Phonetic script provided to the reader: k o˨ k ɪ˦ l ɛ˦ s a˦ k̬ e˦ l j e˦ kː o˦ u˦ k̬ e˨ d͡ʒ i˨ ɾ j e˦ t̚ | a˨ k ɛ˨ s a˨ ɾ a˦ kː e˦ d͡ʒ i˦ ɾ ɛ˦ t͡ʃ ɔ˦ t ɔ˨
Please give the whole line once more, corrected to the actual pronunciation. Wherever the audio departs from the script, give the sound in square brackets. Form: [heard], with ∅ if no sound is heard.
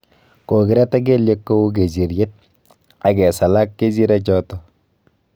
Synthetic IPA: k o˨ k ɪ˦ [ɾ] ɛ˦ [t] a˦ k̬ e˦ l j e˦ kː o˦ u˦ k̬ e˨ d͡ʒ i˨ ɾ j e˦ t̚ | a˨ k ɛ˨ s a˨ [l] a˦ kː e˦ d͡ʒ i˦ ɾ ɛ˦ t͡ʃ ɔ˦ t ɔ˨